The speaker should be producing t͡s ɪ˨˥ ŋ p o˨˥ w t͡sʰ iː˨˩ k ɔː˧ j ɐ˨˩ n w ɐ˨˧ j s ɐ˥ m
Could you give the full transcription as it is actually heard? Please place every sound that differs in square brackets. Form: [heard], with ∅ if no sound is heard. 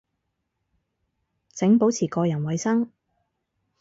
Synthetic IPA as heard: t͡s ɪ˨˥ ŋ p o˨˥ w t͡sʰ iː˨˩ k ɔː˧ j ɐ˨˩ n w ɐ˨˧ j s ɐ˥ [ŋ]